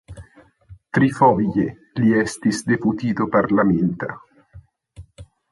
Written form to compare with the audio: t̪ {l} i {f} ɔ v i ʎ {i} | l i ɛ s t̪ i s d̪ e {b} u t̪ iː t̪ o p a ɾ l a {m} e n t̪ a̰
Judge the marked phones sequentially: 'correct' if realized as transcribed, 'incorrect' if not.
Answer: incorrect: ɾ, correct, incorrect: e, incorrect: p, correct

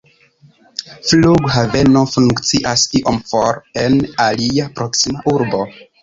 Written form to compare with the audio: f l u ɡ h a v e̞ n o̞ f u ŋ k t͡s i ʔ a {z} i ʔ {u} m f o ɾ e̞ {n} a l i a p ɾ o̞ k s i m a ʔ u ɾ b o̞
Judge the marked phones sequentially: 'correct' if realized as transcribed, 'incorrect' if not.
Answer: incorrect: s, incorrect: o, correct

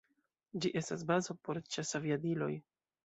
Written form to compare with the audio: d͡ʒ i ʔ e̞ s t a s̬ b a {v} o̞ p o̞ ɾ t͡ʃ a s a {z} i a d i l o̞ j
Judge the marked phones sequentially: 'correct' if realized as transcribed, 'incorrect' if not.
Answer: incorrect: z, incorrect: v

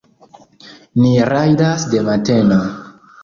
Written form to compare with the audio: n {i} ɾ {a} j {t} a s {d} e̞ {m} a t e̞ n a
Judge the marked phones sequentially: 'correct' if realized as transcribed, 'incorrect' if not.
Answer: correct, correct, incorrect: d, correct, correct

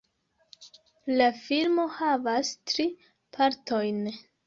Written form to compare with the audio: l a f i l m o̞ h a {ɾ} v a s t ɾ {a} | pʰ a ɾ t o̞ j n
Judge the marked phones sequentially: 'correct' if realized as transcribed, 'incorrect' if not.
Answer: incorrect: none, incorrect: i

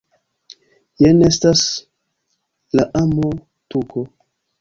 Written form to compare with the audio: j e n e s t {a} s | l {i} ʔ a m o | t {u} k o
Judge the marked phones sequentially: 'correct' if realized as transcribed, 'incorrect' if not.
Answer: correct, incorrect: a, correct

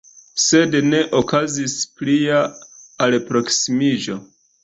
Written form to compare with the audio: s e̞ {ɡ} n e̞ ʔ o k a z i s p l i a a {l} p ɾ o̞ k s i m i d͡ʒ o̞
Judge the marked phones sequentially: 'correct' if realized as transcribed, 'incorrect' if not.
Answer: incorrect: d, correct

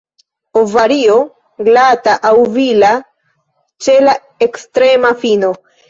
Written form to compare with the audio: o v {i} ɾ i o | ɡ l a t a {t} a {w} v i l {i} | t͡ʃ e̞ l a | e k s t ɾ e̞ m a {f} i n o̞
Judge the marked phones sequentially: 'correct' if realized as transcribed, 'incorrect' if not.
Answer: incorrect: a, incorrect: ʔ, correct, incorrect: a, correct

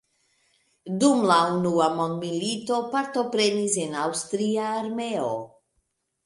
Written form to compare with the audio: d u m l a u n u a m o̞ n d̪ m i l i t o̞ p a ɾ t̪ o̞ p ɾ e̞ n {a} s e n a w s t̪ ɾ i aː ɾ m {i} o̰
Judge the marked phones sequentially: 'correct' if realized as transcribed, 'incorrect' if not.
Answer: incorrect: i, incorrect: e

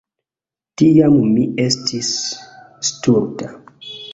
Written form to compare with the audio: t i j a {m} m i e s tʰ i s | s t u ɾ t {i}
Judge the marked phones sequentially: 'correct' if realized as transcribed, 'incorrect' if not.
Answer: correct, incorrect: a

